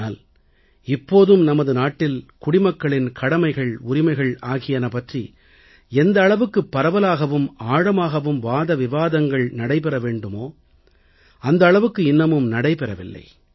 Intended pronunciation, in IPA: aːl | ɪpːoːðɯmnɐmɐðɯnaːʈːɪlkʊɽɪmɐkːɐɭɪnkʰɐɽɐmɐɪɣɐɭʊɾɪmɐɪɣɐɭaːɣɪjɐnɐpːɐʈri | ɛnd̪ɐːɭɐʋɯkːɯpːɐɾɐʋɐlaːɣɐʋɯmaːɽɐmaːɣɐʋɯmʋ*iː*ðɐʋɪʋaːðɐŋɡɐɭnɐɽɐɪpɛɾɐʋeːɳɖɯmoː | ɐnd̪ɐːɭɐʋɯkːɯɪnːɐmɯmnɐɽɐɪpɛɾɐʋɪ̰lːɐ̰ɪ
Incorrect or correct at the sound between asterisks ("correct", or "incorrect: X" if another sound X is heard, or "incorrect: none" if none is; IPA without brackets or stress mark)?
incorrect: aː